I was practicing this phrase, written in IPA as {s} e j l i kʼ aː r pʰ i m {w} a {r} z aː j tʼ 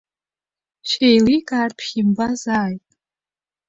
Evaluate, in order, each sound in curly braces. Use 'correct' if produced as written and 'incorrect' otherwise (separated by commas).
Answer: incorrect, incorrect, incorrect